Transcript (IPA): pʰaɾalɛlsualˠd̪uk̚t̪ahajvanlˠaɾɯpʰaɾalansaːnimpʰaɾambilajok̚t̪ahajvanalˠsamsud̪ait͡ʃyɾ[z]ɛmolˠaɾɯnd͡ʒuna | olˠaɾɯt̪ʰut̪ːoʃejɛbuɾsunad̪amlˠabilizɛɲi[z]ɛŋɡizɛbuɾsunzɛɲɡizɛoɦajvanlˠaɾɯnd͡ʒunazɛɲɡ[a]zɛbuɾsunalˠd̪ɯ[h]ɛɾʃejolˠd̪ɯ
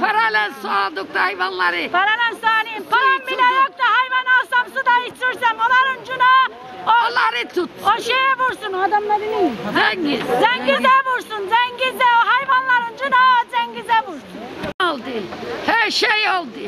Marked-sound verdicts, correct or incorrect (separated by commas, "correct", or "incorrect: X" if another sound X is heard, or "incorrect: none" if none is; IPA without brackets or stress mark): incorrect: s, correct, incorrect: i, correct